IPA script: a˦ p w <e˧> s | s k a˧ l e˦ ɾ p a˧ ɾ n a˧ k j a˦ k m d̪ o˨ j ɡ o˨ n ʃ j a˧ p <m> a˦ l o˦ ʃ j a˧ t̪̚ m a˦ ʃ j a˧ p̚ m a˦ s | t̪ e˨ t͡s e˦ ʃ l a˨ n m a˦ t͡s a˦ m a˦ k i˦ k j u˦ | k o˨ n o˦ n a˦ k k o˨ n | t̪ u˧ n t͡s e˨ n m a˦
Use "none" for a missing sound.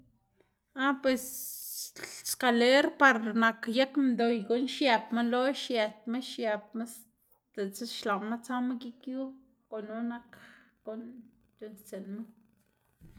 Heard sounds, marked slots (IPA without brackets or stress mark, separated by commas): e˧, m